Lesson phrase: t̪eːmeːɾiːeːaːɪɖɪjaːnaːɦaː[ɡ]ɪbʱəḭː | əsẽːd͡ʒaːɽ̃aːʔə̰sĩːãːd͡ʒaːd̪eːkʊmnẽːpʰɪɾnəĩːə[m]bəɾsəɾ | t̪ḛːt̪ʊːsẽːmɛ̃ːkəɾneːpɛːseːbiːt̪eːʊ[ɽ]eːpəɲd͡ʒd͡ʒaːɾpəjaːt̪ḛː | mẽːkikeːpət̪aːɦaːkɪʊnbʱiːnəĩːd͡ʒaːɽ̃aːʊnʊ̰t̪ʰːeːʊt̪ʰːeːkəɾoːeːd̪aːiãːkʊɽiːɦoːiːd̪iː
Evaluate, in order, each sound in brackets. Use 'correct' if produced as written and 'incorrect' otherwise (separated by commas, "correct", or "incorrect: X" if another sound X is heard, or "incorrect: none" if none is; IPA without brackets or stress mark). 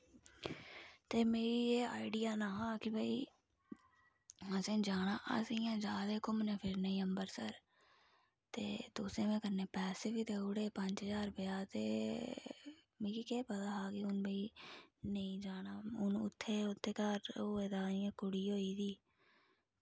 incorrect: k, correct, correct